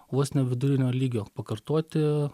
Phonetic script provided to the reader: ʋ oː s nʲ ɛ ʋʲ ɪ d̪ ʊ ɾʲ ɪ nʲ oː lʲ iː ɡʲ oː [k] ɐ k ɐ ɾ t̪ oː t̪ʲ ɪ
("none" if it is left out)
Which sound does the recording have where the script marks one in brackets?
p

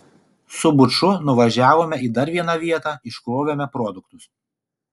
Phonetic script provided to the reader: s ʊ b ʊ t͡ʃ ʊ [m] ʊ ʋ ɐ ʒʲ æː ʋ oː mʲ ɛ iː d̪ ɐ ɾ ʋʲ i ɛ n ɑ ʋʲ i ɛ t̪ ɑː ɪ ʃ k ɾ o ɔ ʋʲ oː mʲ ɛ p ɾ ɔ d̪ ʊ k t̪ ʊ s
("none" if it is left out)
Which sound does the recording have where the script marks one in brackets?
n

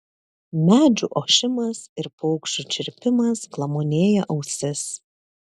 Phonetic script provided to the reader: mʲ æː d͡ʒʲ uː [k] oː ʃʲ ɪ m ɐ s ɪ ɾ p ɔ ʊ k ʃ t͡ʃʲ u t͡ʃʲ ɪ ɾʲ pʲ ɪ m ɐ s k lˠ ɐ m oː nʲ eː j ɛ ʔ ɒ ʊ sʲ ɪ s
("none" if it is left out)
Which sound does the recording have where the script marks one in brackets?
ʔ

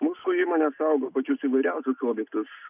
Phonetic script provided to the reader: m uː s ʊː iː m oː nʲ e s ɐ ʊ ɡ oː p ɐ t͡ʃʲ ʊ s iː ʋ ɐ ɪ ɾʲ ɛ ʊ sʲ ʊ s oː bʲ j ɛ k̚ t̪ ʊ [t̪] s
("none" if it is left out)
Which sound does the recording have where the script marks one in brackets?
none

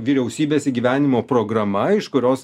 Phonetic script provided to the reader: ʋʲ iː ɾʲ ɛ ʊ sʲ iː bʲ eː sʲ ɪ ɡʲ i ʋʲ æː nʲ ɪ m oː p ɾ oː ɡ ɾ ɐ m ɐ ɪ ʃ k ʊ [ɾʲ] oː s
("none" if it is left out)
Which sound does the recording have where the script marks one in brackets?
ɾʲ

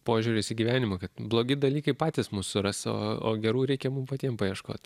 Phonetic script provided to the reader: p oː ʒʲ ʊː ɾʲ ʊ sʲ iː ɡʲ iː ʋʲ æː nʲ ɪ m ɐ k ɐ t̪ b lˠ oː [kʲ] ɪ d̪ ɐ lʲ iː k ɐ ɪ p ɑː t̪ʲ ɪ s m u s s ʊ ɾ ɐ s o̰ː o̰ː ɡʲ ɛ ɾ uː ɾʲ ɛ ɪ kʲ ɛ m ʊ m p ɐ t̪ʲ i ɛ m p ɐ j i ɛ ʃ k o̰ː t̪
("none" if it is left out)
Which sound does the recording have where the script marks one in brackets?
ɡʲ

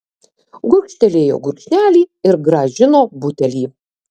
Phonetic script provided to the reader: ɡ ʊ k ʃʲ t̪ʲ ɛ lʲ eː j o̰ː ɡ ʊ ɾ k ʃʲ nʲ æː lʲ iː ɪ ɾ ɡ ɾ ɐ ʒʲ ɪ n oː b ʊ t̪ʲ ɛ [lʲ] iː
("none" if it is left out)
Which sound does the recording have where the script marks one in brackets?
lʲ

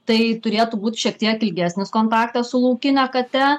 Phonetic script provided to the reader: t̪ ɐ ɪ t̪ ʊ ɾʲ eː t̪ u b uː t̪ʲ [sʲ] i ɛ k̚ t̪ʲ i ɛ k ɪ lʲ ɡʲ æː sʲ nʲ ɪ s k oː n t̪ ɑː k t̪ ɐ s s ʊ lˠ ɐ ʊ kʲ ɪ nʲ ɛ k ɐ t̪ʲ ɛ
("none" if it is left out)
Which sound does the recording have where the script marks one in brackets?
ʃʲ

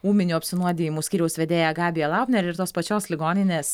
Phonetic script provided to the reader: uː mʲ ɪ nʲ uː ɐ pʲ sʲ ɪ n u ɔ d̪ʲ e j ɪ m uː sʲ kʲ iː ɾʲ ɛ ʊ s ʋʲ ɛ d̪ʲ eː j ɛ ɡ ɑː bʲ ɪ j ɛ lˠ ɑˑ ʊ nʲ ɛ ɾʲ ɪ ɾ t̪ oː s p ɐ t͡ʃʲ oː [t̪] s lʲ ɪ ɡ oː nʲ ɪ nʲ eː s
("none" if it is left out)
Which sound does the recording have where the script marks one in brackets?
none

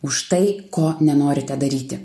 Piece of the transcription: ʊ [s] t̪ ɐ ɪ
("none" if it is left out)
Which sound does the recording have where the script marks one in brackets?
ʃ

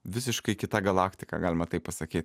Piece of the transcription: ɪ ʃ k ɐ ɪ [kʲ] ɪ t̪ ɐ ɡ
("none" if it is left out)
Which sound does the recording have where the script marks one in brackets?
kʲ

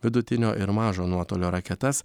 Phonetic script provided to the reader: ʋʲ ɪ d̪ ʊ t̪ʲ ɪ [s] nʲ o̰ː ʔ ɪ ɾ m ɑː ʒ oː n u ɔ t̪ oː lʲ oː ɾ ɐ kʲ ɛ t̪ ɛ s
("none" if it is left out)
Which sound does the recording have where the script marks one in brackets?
none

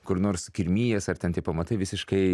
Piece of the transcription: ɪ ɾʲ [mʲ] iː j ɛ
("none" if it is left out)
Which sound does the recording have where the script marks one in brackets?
mʲ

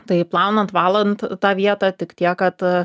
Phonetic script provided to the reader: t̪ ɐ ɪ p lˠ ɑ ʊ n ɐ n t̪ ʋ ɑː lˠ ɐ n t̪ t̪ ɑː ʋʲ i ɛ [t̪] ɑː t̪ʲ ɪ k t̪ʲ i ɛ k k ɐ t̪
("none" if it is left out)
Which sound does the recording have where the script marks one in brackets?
t̪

